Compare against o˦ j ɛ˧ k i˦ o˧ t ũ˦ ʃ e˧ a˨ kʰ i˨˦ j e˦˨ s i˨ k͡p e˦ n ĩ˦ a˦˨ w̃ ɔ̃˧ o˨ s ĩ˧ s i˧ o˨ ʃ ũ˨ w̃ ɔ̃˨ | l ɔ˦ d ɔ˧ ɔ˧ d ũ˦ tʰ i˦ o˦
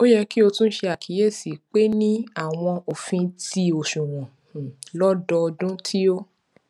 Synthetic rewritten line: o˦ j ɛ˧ k i˦ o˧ t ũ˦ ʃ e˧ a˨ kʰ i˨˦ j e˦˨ s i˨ k͡p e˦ n ĩ˦ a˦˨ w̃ ɔ̃˧ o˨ f ĩ˧ t i˧ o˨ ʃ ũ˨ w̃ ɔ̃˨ | l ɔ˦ d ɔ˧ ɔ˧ d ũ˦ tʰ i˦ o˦